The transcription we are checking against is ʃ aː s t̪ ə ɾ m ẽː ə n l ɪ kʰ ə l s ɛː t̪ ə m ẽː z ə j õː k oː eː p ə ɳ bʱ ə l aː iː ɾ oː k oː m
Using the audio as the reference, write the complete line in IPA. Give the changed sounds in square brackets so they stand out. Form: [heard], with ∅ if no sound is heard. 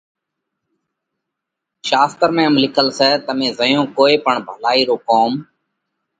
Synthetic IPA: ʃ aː s t̪ ə ɾ m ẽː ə [m] l ɪ kʰ ə l s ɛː t̪ ə m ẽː z ə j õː k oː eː p ə ɳ bʱ ə l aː iː ɾ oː k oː m